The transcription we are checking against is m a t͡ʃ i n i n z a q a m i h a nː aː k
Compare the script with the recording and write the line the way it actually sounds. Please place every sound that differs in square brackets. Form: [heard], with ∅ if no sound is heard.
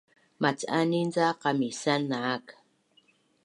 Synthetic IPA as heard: m a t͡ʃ [a] n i n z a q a m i [s] a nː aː k